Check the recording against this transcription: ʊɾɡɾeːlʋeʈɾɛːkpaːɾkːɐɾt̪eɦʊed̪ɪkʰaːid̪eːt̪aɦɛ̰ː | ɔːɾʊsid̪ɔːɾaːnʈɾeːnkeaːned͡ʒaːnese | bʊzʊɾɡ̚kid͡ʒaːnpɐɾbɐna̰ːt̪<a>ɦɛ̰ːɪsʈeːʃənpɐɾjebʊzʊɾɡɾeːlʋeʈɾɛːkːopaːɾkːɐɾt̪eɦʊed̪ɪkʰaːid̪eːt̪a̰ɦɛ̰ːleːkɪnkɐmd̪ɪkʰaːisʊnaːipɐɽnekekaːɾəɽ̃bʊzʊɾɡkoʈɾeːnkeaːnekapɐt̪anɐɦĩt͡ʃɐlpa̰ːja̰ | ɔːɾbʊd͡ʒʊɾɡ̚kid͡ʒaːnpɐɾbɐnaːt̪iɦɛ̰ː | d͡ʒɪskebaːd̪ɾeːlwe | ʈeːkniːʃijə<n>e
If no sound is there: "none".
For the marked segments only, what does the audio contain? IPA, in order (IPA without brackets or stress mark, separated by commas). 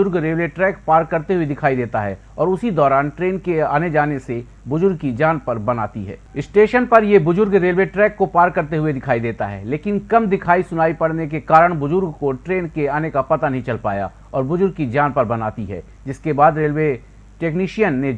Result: i, nː